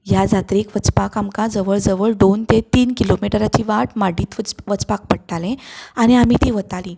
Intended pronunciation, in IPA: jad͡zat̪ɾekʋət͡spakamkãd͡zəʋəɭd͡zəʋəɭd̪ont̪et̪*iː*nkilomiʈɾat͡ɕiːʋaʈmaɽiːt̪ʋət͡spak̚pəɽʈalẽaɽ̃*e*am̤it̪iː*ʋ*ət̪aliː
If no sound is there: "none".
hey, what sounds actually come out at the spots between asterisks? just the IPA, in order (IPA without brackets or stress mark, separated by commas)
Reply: iː, i, ʋ